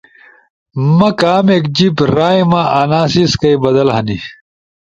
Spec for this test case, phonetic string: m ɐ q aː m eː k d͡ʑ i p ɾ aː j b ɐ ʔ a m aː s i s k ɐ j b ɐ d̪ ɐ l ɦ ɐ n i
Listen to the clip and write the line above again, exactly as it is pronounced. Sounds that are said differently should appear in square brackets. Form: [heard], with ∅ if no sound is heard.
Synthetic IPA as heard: m ɐ [k] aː m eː k d͡ʑ i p ɾ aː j [m] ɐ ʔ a [n] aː s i s k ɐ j b ɐ d̪ ɐ l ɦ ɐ n i